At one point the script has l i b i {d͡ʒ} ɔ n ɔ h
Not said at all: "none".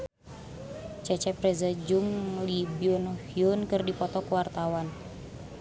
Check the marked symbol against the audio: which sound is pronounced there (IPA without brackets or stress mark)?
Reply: none